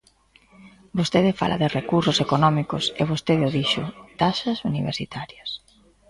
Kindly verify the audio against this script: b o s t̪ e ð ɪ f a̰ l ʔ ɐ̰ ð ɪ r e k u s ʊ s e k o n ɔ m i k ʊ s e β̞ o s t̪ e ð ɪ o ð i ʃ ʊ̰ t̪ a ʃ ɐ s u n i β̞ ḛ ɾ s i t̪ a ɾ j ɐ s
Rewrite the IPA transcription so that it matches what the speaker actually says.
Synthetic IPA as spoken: b o s t̪ e ð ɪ f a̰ l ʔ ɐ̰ ð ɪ r e k u s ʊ s e k o n ɔ m i k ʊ s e β̞ o s t̪ e ð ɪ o ð i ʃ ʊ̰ t̪ a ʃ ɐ s u n i β̞ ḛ ɾ s i t̪ a ɾ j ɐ s